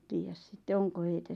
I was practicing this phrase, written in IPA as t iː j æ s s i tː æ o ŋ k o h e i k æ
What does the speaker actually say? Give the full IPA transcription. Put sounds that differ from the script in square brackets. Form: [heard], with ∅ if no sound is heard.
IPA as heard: t iː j æ s s i tː [e] o ŋ k o h e i [t] æ